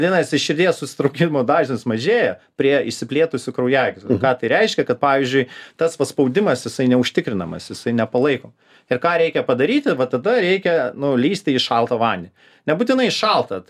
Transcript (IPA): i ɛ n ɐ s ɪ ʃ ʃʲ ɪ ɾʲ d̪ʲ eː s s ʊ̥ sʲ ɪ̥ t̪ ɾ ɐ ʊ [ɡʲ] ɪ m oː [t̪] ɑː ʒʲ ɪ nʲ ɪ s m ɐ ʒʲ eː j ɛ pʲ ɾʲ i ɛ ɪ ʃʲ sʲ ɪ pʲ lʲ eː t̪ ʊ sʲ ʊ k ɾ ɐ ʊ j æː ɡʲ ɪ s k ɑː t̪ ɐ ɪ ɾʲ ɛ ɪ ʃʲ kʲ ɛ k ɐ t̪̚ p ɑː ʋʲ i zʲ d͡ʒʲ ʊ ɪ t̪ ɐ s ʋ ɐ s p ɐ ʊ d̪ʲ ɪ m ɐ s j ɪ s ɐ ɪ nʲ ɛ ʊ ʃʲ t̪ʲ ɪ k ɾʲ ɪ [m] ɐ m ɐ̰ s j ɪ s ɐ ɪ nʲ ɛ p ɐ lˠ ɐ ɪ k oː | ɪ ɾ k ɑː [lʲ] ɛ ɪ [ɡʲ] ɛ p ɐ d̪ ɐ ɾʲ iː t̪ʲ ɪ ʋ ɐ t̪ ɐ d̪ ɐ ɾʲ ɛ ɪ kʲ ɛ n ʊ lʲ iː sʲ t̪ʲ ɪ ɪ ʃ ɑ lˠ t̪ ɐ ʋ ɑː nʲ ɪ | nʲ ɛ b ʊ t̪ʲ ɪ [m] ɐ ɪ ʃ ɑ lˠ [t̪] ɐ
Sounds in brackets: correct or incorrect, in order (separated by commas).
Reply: incorrect, incorrect, incorrect, incorrect, incorrect, incorrect, correct